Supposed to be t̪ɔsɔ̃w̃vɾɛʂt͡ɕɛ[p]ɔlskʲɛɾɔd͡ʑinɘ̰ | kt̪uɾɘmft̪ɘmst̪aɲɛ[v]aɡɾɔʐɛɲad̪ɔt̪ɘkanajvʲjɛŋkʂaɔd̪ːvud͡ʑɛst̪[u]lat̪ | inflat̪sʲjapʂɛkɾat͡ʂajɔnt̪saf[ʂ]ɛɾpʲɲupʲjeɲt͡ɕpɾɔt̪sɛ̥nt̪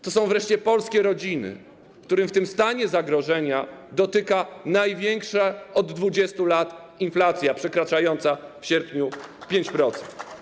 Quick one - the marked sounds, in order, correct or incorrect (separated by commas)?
correct, incorrect, correct, incorrect